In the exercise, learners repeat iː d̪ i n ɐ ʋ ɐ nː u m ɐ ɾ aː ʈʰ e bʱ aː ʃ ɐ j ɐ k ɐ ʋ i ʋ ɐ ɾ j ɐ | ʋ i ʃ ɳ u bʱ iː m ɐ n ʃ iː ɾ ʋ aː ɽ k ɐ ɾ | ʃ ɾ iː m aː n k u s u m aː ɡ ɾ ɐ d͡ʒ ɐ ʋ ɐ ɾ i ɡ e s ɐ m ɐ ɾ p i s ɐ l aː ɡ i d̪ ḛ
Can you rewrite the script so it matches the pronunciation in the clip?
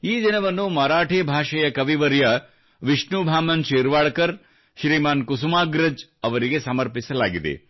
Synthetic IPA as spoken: iː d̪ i n ɐ ʋ ɐ nː u m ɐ ɾ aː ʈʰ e bʱ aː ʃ ɐ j ɐ k ɐ ʋ i ʋ ɐ ɾ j ɐ | ʋ i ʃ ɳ u bʱ aː m ɐ n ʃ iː ɾ ʋ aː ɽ k ɐ ɾ | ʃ ɾ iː m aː n k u s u m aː ɡ ɾ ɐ d͡ʒ ɐ ʋ ɐ ɾ i ɡ e s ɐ m ɐ ɾ p i s ɐ l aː ɡ i d̪ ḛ